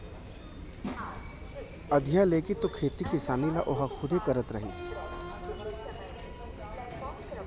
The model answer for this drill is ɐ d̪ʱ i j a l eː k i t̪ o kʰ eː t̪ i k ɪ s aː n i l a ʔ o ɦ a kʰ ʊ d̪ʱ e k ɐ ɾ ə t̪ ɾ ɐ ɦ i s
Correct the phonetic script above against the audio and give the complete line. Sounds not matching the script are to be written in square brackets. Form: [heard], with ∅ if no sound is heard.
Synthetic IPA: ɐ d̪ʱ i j a l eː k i t̪ o kʰ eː t̪ i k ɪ s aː n i l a ʔ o ɦ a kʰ ʊ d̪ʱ e k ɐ ɾ ə t̪ ɾ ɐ ɦ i s